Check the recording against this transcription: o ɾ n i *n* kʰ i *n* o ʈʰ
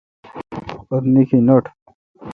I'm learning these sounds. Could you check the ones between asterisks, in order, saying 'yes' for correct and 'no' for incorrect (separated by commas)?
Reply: no, yes